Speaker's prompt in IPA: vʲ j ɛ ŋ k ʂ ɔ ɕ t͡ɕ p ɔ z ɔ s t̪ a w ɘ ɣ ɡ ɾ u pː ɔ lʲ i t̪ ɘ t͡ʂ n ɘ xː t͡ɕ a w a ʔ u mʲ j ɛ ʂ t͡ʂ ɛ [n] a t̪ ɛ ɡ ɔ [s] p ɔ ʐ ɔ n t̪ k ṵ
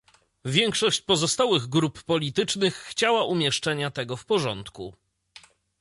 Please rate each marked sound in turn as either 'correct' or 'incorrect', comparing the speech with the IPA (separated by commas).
incorrect, incorrect